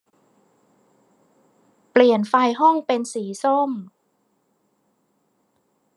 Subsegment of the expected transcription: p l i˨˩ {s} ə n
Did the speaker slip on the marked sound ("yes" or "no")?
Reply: yes